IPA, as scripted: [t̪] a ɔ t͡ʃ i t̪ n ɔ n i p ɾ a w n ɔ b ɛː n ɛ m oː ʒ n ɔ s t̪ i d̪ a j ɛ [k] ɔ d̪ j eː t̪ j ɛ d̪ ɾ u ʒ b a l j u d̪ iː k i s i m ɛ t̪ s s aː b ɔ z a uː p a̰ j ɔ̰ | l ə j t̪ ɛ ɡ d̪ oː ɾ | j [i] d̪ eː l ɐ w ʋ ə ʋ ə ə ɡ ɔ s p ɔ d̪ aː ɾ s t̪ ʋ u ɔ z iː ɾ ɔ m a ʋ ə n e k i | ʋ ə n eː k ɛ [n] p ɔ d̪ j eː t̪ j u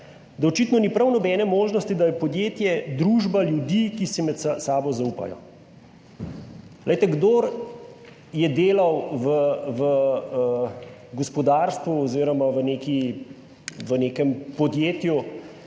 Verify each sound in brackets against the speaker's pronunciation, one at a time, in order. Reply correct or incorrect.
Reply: incorrect: d̪, incorrect: p, incorrect: ɛ, incorrect: m

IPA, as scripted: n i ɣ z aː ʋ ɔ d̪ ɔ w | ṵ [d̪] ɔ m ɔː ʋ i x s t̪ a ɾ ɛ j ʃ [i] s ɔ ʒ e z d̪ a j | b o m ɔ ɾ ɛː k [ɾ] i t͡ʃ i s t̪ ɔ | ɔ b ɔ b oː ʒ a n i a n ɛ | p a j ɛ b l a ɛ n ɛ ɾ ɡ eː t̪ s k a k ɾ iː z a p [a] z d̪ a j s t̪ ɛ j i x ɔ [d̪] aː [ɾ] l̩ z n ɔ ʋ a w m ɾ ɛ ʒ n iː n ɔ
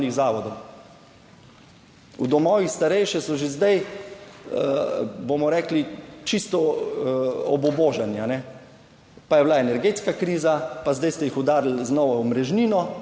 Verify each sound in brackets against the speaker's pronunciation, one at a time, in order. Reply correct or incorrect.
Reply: correct, incorrect: ɛ, incorrect: l, correct, correct, correct

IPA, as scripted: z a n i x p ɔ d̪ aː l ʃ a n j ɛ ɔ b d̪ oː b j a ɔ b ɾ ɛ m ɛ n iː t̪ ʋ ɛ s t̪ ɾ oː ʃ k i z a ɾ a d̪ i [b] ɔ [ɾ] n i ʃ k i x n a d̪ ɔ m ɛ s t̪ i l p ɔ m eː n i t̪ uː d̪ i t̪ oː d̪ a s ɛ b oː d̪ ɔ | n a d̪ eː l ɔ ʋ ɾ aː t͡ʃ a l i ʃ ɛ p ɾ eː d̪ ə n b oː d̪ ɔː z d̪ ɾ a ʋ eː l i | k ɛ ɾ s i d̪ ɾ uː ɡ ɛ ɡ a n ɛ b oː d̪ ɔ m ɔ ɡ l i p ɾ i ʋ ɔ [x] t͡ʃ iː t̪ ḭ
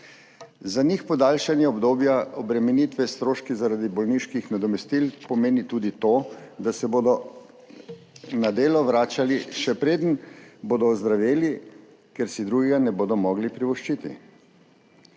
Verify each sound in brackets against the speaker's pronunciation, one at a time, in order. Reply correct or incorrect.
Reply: correct, incorrect: l, incorrect: ʃ

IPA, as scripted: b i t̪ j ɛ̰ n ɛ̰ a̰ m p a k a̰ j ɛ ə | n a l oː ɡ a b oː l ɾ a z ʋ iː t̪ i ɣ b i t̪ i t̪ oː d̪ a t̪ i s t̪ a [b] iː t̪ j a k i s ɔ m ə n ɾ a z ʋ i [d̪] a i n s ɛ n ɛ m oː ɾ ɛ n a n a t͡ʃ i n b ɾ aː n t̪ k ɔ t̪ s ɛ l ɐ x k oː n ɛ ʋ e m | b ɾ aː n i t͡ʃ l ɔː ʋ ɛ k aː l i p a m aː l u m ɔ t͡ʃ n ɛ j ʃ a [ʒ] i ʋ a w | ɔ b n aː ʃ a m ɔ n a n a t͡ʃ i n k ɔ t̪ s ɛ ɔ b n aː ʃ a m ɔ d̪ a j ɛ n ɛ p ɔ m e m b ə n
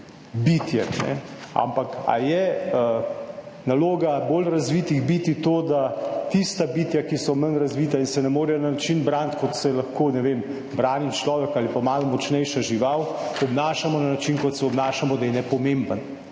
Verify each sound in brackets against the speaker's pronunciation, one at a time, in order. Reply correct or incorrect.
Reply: correct, incorrect: t̪, correct

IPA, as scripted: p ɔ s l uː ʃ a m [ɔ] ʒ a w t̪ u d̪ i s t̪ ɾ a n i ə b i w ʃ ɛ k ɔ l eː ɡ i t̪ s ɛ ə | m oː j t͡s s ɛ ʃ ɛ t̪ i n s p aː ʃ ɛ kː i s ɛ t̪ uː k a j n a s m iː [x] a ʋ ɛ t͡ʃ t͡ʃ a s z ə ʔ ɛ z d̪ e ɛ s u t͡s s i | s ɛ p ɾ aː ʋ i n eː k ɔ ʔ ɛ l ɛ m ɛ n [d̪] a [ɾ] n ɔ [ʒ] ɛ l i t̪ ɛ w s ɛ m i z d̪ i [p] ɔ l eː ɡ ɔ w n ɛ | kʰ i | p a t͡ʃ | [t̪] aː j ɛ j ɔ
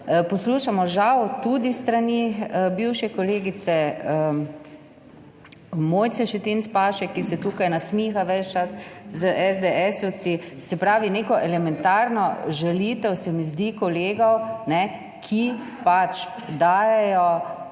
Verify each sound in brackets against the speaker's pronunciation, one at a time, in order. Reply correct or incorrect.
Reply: correct, correct, incorrect: t̪, correct, correct, incorrect: k, incorrect: d̪

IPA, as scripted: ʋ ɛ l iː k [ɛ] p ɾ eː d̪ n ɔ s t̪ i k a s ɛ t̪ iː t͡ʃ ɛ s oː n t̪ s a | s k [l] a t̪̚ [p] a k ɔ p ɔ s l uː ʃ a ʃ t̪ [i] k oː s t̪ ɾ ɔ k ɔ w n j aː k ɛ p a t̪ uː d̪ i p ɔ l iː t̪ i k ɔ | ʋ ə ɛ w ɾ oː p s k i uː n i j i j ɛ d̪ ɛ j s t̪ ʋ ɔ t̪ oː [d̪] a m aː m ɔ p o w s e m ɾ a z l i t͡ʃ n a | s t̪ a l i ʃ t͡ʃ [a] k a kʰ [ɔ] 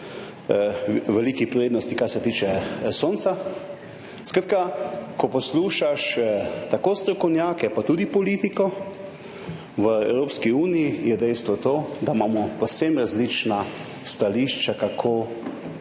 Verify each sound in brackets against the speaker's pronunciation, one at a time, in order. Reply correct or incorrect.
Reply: incorrect: i, incorrect: ɾ, incorrect: k, incorrect: a, correct, correct, incorrect: o

